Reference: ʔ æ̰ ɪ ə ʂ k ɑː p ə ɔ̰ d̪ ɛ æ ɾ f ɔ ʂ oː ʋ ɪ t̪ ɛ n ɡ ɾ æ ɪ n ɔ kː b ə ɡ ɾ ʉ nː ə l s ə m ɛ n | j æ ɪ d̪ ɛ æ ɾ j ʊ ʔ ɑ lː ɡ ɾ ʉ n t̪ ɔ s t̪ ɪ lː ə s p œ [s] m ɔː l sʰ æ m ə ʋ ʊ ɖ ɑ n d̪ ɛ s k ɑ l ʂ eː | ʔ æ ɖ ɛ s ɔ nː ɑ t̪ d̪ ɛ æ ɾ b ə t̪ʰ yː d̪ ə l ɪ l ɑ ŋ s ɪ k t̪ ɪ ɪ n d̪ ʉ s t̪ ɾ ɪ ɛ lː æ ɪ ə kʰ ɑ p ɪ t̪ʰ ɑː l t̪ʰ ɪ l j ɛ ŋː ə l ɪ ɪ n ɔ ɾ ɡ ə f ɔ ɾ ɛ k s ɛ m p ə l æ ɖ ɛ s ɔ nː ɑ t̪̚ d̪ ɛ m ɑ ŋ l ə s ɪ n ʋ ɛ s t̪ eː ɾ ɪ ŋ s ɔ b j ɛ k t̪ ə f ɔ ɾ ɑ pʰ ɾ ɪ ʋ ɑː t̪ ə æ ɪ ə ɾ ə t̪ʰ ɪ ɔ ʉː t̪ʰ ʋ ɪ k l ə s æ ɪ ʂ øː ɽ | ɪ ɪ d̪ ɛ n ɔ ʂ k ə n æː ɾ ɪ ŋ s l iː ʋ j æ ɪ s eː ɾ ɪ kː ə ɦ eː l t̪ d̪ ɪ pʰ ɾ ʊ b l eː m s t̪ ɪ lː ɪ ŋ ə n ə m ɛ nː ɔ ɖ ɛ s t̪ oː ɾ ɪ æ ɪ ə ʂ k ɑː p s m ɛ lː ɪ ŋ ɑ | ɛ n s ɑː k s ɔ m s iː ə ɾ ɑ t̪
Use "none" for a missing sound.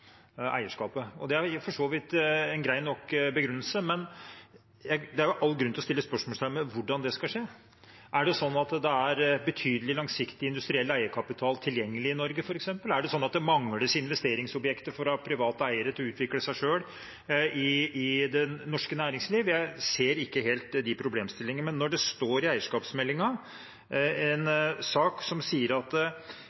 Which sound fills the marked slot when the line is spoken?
ʂ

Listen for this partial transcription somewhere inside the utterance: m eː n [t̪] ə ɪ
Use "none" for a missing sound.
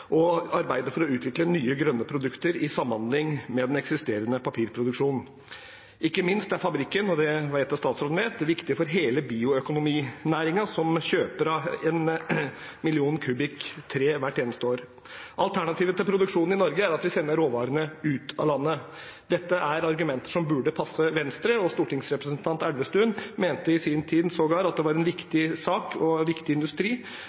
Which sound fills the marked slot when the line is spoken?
t̪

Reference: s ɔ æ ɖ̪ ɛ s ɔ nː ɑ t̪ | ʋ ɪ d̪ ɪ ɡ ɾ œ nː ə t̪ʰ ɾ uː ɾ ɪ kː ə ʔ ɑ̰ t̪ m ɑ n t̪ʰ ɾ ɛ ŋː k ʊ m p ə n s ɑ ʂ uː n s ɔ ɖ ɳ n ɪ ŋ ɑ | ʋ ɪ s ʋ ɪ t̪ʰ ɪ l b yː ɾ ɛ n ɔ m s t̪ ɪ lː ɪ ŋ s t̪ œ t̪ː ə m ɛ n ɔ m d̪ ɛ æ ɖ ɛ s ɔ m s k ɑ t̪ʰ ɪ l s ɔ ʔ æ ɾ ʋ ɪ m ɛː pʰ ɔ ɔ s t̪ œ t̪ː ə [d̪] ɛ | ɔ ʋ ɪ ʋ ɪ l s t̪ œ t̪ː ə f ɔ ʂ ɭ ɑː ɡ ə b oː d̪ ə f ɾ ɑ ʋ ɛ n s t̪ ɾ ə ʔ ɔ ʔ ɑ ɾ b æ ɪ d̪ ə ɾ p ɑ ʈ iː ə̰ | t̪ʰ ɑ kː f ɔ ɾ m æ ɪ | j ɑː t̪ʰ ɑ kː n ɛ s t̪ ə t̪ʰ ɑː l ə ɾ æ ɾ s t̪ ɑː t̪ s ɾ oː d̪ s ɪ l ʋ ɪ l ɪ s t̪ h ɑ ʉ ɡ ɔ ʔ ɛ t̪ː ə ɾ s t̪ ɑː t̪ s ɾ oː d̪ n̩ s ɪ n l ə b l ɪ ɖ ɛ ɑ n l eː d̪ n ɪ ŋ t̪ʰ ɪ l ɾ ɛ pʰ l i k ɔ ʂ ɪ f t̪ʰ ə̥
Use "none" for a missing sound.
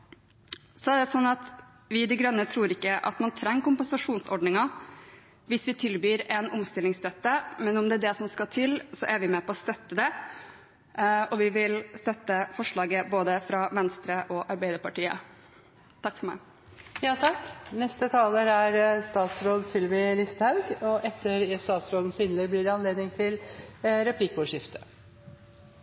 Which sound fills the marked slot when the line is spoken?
d̪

